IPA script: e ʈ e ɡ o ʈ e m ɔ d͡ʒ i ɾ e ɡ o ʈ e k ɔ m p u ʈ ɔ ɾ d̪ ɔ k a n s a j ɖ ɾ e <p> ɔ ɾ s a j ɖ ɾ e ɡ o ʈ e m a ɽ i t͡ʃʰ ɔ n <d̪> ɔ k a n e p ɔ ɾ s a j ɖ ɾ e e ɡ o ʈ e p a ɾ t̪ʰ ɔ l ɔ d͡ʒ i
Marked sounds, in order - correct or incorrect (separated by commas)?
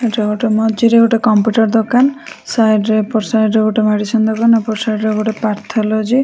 correct, correct